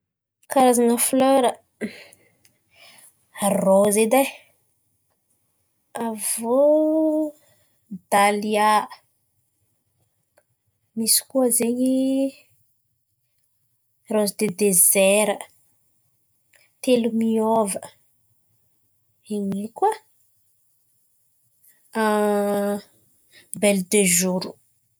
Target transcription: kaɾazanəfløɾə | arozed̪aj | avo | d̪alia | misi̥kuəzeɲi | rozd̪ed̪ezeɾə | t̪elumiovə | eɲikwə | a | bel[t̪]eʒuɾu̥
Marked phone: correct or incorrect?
incorrect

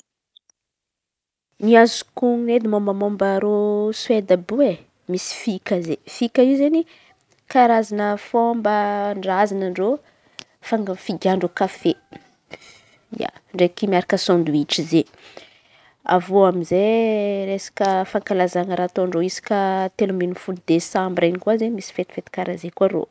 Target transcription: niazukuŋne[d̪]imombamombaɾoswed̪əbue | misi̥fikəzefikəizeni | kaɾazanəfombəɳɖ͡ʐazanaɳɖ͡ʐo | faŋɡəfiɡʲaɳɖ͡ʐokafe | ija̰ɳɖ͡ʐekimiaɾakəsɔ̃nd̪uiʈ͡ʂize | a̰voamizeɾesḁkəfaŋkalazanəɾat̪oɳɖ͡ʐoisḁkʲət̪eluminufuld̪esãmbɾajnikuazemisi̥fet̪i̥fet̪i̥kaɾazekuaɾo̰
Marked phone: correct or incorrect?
correct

